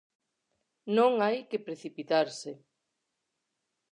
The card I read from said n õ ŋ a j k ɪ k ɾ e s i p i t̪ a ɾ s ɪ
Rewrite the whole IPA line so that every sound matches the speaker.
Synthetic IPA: n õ ŋ a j k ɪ p ɾ e θ i p i t̪ a ɾ s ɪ